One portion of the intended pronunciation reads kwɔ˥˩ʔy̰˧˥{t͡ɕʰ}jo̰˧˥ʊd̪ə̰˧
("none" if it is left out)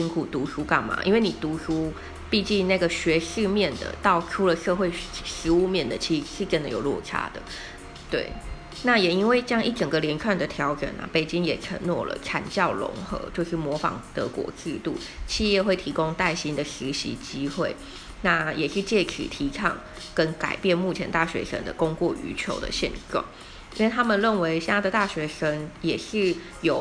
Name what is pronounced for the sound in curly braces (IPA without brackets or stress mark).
t͡ɕʰ